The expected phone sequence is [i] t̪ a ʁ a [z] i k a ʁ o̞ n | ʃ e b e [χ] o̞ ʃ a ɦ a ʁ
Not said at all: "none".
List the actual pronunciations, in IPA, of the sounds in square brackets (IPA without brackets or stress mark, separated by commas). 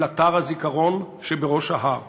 a, z, ʁ